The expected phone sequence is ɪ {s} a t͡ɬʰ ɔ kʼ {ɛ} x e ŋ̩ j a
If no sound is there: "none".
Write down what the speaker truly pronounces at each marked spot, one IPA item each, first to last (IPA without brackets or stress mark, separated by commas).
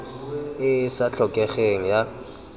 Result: s, ɛ